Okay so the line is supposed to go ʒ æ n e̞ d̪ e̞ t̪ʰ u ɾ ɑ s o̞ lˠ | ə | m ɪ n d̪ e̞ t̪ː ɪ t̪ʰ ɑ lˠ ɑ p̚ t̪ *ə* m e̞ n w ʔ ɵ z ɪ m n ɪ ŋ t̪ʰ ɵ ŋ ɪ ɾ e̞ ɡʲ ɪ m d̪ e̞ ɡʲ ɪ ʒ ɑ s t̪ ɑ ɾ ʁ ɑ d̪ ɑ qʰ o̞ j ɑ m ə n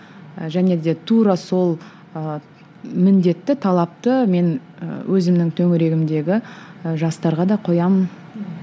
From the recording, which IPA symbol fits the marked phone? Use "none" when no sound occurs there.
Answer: ə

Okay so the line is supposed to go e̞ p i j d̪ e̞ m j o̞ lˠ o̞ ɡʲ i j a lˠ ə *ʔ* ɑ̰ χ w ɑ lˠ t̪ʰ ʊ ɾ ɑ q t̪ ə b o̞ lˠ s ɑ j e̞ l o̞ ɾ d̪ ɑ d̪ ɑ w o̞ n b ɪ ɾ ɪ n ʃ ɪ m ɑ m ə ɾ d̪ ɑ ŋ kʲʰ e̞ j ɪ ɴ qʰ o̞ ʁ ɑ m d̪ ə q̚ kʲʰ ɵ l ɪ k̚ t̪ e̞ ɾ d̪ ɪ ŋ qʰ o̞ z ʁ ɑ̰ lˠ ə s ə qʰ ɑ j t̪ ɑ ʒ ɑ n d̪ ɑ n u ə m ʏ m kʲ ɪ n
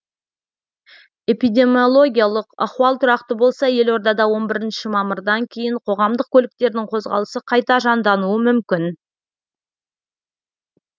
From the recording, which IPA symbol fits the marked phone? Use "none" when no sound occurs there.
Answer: q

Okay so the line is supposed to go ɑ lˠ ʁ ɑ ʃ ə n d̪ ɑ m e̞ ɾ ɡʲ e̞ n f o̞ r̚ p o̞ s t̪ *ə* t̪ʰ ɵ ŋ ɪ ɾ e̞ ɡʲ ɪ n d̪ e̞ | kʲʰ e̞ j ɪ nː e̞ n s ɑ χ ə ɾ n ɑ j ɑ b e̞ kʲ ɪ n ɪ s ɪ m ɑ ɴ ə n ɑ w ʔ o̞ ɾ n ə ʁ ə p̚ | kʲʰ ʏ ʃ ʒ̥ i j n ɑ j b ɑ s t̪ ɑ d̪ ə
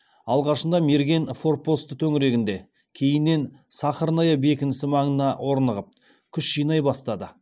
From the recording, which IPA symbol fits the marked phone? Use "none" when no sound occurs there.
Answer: ə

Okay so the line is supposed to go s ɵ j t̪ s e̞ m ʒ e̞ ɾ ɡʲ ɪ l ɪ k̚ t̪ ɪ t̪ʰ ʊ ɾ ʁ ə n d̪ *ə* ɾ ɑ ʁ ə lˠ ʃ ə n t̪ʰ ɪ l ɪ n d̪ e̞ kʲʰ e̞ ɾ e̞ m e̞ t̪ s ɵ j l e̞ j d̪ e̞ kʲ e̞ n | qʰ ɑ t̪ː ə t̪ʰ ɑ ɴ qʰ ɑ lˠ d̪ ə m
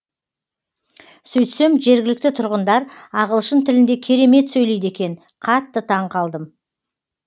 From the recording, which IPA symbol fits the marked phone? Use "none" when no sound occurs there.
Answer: ɑ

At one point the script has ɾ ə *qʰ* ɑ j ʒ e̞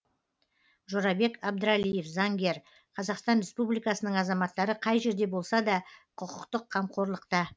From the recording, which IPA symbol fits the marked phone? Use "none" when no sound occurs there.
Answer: qʰ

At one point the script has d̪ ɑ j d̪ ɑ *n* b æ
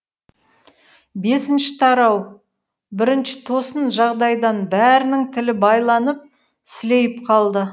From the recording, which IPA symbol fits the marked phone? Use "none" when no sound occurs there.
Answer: n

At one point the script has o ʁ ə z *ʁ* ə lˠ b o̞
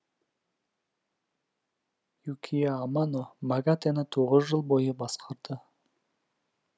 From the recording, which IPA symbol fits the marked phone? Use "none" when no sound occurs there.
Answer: ʒ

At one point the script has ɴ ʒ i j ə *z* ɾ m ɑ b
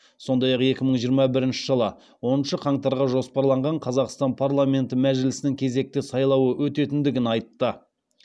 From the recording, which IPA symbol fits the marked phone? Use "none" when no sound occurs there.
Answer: none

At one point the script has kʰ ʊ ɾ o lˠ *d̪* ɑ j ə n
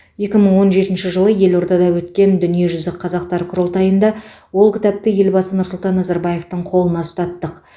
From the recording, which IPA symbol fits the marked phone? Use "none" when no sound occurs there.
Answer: t̪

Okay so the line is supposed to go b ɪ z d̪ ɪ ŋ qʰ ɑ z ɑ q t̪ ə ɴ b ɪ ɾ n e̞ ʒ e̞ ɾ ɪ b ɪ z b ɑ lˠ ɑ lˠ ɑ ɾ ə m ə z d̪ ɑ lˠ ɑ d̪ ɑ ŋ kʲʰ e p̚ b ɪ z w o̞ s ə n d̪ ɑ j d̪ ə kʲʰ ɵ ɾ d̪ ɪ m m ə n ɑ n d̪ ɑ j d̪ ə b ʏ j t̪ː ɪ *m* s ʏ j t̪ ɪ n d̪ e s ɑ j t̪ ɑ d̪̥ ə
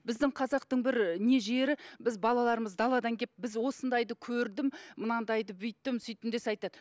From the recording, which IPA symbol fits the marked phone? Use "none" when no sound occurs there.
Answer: m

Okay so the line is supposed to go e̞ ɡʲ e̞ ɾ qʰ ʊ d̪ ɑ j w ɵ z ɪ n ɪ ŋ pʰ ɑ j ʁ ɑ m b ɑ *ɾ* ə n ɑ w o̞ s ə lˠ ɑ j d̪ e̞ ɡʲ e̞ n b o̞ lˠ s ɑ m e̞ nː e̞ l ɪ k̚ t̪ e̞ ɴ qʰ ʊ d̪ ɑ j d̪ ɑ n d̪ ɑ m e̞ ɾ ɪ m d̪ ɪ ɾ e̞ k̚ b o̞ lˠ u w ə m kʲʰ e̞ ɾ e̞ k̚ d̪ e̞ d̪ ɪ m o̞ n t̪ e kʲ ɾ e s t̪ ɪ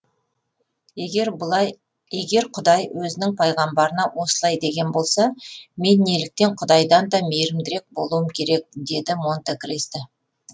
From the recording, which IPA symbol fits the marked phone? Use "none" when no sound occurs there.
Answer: ɾ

